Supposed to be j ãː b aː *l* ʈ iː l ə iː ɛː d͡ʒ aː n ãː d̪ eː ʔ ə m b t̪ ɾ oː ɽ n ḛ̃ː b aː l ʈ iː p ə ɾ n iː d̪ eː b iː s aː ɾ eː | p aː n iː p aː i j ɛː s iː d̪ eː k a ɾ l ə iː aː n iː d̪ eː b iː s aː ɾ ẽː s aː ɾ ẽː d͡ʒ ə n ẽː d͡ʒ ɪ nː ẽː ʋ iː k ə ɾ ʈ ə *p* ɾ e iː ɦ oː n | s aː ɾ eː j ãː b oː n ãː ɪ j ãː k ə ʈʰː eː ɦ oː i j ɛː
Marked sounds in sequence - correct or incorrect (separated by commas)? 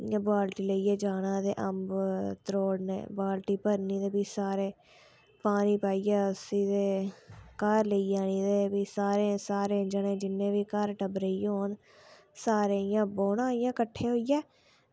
correct, incorrect